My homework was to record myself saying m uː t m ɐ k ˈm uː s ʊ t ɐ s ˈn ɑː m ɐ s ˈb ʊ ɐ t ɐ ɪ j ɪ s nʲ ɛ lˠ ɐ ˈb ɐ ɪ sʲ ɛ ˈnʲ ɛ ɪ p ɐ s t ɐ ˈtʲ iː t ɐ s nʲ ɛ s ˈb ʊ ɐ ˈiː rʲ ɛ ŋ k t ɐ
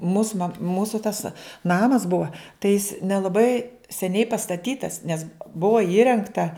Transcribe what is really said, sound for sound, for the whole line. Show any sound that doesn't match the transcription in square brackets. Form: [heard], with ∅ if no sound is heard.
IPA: m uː [s] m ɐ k ˈm uː s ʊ t ɐ s ˈn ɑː m ɐ s ˈb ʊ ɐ t ɐ ɪ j ɪ s nʲ ɛ lˠ ɐ ˈb ɐ ɪ sʲ ɛ ˈnʲ ɛ ɪ p ɐ s t ɐ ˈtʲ iː t ɐ s nʲ ɛ s ˈb ʊ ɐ ˈiː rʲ ɛ ŋ k t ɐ